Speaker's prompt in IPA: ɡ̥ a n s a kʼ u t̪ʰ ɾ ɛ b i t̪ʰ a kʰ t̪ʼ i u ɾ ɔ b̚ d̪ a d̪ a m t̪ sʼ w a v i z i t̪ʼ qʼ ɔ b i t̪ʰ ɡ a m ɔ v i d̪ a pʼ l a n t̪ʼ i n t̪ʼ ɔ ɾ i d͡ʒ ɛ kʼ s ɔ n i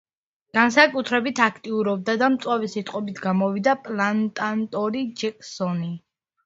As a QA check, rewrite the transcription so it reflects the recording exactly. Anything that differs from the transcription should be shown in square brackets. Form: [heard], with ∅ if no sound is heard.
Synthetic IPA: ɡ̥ a n s a kʼ u t̪ʰ ɾ ɛ b i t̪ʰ a kʰ t̪ʼ i u ɾ ɔ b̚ d̪ a d̪ a m t̪ sʼ w a v i [s] i t̪ʼ qʼ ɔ b i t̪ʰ ɡ a m ɔ v i d̪ a pʼ l a n t̪ʼ [a] n t̪ʼ ɔ ɾ i d͡ʒ ɛ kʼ s ɔ n i